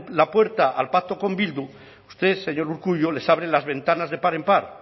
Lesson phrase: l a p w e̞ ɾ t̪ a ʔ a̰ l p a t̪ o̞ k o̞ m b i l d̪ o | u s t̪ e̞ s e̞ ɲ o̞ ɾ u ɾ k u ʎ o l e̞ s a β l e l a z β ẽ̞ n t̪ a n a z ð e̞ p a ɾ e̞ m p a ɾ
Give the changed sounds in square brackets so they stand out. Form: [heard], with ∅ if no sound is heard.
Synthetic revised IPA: l a p w e̞ ɾ t̪ a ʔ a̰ l p a t̪ o̞ k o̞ m b i l d̪ [u] | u s t̪ e̞ s e̞ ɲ o̞ ɾ u ɾ k u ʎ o l e̞ s a β [ɾ] e l a z β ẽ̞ n t̪ a n a z ð e̞ p a ɾ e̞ m p a ɾ